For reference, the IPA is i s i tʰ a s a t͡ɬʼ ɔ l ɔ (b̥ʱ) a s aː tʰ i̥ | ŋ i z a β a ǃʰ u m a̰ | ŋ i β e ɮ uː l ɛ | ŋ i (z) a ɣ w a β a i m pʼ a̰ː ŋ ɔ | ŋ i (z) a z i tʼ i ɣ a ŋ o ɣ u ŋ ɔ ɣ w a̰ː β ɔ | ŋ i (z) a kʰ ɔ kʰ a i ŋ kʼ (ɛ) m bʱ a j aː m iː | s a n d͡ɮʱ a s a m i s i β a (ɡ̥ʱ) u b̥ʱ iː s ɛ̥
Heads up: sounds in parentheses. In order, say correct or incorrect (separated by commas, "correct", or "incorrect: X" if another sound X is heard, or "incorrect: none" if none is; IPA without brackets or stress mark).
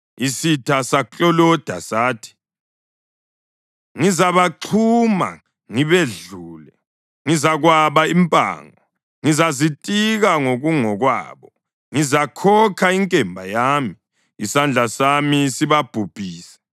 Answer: incorrect: d̥ʱ, correct, correct, correct, correct, incorrect: b̥ʱ